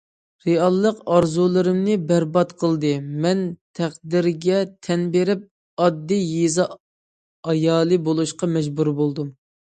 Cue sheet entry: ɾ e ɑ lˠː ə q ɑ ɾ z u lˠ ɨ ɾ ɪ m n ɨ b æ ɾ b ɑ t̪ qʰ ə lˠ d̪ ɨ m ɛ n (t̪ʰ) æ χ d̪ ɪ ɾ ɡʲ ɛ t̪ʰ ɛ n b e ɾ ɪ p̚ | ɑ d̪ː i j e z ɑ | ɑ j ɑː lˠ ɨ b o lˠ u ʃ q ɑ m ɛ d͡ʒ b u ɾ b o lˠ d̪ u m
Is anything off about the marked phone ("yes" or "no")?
no